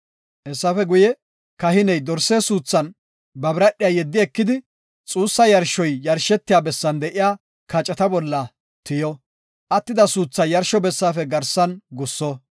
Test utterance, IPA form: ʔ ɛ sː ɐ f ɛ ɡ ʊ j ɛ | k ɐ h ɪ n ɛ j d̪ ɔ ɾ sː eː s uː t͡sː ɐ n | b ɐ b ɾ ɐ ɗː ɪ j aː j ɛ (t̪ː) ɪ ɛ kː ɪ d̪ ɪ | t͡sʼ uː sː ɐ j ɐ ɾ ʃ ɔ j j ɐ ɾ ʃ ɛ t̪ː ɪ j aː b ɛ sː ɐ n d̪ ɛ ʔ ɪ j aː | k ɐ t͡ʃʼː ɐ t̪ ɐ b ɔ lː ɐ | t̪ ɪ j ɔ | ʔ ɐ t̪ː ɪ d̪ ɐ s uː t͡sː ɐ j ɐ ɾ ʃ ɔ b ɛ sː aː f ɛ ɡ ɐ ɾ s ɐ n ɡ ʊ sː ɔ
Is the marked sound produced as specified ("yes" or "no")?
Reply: no